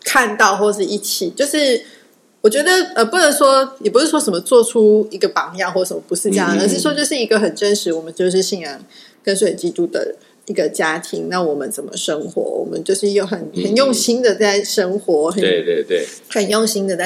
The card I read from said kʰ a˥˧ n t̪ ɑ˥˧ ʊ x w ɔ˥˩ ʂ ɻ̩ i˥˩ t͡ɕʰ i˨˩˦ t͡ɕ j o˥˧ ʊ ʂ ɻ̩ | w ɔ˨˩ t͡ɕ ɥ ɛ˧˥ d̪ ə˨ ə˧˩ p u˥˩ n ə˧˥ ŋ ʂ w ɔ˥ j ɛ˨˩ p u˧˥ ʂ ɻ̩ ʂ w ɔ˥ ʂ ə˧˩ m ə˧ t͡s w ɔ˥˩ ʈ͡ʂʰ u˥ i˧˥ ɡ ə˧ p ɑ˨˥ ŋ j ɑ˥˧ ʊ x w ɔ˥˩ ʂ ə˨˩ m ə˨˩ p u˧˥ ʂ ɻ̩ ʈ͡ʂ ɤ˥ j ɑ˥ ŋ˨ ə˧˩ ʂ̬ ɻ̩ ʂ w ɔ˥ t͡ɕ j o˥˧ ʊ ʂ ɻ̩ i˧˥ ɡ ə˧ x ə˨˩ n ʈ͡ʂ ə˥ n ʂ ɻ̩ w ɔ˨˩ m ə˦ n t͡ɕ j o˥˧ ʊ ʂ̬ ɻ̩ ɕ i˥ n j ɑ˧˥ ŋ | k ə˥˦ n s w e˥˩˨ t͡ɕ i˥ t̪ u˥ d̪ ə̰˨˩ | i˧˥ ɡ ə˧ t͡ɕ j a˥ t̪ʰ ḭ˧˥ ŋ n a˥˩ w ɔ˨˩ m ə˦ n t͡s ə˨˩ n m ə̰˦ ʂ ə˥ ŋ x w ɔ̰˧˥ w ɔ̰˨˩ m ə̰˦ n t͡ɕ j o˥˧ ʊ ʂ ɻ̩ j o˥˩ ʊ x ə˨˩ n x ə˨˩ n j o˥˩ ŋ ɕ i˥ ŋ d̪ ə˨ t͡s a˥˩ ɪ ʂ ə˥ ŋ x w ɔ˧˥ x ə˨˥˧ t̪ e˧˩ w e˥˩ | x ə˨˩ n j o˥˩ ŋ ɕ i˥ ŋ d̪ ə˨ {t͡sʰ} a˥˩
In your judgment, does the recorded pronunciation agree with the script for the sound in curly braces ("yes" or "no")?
no